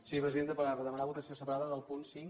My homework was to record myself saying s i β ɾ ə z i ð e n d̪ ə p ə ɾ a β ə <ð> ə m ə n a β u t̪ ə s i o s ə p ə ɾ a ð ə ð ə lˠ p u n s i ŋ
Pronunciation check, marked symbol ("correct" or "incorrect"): correct